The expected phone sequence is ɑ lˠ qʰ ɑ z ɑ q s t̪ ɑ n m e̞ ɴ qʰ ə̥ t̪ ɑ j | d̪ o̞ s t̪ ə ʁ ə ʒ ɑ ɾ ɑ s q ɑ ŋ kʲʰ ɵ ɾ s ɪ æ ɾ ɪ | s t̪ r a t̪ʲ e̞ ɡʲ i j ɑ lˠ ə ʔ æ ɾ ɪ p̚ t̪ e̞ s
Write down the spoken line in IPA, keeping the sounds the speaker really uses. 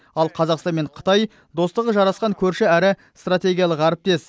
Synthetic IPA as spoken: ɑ lˠ qʰ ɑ z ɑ q s t̪ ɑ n m e̞ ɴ qʰ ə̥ t̪ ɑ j | d̪ o̞ s t̪ ə ʁ ə ʒ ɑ ɾ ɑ s q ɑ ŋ kʲʰ ɵ ɾ ʃ ɪ æ ɾ ɪ | s t̪ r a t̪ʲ e̞ ɡʲ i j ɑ lˠ ə q æ ɾ ɪ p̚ t̪ e̞ s